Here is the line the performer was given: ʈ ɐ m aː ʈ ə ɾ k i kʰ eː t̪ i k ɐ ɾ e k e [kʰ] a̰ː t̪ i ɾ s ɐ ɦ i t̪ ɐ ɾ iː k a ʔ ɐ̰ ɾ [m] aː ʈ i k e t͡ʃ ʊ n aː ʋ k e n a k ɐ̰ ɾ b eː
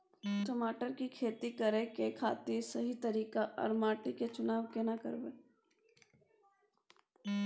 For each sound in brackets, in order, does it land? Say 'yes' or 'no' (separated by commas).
yes, yes